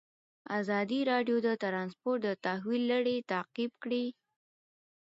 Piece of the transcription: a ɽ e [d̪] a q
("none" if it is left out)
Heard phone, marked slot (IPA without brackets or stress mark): t̪